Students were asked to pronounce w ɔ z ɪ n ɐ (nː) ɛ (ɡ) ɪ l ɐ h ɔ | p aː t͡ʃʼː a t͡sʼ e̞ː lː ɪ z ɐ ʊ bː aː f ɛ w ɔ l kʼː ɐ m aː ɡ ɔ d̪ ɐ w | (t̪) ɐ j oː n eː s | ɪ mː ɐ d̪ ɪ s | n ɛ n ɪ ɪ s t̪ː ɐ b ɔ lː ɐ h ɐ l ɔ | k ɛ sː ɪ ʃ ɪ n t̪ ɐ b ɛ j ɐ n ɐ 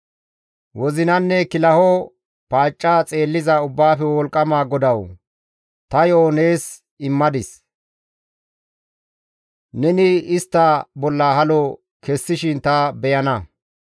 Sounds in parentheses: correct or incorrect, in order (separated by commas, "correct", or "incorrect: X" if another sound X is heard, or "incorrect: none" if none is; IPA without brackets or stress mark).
correct, incorrect: k, correct